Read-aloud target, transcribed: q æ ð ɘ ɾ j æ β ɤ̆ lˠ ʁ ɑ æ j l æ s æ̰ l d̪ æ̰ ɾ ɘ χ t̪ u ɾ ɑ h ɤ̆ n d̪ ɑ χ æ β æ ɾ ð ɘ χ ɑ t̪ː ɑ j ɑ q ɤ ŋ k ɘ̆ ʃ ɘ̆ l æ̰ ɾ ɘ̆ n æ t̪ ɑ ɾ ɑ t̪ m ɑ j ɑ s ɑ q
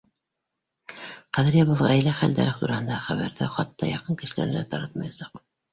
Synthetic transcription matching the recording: q æ ð ɘ ɾ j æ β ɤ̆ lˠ ʁ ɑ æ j l æ χ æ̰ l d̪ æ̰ ɾ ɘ χ t̪ u ɾ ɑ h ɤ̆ n d̪ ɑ χ æ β æ ɾ ð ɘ χ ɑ t̪ː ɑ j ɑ q ɤ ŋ k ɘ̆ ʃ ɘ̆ l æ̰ ɾ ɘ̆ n æ t̪ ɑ ɾ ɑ t̪ m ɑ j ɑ s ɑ q

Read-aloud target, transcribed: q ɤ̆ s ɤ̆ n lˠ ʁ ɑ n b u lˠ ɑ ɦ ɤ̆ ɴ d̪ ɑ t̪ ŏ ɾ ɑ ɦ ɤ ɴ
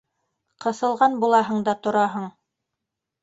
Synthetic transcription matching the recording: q ɤ̆ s ɤ̆ lˠ ʁ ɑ n b u lˠ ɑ ɦ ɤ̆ ɴ d̪ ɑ t̪ ŏ ɾ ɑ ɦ ɤ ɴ

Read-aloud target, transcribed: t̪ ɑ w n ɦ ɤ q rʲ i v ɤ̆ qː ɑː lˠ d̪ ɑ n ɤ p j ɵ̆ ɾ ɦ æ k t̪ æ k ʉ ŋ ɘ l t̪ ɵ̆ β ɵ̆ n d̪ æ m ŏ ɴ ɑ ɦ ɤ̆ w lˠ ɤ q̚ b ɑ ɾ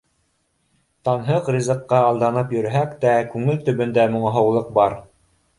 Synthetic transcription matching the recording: t̪ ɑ n ɦ ɤ q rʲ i z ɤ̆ qː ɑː lˠ d̪ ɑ n ɤ p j ɵ̆ ɾ ɦ æ k t̪ æ k ʉ ŋ ɘ l t̪ ɵ̆ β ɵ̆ n d̪ æ m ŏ ɴ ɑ ɦ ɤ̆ w lˠ ɤ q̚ b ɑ ɾ

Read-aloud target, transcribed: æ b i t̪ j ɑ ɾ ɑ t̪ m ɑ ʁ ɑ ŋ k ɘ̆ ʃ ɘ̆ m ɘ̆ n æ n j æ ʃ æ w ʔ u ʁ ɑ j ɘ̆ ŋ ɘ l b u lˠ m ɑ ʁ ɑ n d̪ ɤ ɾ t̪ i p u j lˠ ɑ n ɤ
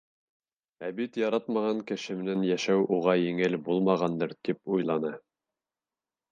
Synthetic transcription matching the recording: æ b i t̪ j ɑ ɾ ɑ t̪ m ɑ ʁ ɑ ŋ k ɘ̆ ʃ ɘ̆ m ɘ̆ n æ n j æ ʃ æ w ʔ u ʁ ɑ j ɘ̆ ŋ ɘ l b u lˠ m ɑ ʁ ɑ n d̪ ɤ ɾ t̪ i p u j lˠ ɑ n ɤ

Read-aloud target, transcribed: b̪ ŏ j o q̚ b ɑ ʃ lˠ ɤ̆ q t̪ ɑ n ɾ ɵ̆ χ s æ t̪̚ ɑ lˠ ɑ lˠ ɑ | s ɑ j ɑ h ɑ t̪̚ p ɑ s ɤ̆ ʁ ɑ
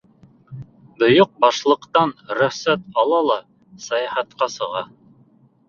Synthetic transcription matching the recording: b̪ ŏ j o q̚ b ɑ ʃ lˠ ɤ̆ q t̪ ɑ n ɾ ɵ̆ χ s æ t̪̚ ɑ lˠ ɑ lˠ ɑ | s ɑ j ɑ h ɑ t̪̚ q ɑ s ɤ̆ ʁ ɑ

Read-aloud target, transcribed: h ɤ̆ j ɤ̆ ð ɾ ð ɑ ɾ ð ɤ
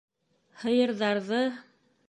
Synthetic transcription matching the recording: h ɤ̆ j ɤ̆ ɾ ð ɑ ɾ ð ɤ

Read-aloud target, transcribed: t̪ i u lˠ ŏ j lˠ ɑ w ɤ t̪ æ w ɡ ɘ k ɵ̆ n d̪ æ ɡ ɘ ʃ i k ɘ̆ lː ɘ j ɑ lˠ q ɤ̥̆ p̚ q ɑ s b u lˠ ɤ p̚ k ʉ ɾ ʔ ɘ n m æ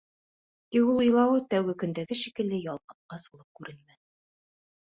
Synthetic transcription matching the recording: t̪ i u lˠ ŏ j lˠ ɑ w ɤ t̪ æ w ɡ ɘ k ɵ̆ n d̪ æ ɡ ɘ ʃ i k ɘ̆ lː ɘ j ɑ lˠ q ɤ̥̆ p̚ q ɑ s b u lˠ ɤ p̚ k ʉ ɾ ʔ ɘ n m æ

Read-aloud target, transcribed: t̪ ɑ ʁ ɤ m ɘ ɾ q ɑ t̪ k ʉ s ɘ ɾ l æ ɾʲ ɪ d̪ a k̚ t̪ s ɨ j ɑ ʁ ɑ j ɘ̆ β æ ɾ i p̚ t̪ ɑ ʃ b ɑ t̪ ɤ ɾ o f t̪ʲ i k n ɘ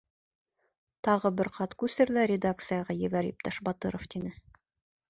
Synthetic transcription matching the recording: t̪ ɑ ʁ ɤ b ɘ ɾ q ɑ t̪ k ʉ s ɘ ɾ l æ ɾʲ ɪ d̪ a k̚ t̪ s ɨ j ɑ ʁ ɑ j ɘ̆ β æ ɾ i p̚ t̪ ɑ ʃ b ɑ t̪ ɤ ɾ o f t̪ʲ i n ɘ

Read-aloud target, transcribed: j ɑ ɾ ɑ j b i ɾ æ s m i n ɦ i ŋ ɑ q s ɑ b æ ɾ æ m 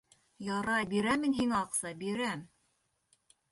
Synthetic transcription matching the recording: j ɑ ɾ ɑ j b i ɾ æ m i n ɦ i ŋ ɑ q s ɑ b i ɾ æ m

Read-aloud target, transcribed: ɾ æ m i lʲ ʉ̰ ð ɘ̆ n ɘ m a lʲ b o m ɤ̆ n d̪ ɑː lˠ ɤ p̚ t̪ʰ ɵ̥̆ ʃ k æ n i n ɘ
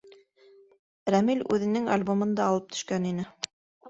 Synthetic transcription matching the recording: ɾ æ m i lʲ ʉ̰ ð ɘ̆ n ɘ ŋ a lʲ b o m ɤ̆ n d̪ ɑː lˠ ɤ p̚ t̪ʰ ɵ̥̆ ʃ k æ n i n ɘ

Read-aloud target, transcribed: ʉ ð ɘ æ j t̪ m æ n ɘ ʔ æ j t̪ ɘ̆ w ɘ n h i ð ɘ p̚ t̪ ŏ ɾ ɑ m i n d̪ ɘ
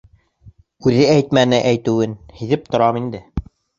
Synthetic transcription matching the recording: ʉ ð ɘ æ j t̪ m æ n ɘ ʔ æ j t̪ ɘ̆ w ɘ n h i ð ɘ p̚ t̪ ŏ ɾ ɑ m i n d̪ ɘ

